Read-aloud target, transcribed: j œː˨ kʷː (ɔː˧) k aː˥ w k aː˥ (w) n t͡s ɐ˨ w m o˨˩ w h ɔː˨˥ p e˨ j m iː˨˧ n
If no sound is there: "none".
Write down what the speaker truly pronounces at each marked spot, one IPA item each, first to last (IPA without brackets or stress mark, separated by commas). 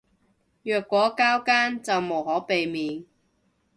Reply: ɔː˨˥, none